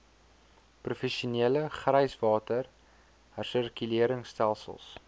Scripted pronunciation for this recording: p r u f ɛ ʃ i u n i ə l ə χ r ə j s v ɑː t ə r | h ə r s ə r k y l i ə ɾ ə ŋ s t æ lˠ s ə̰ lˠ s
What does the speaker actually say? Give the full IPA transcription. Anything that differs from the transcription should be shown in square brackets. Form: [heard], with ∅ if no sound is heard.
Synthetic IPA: p r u f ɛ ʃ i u n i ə l ə χ r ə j s v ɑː t ə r | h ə r s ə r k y l i ə ɾ ə ŋ s t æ lˠ s ə̰ lˠ s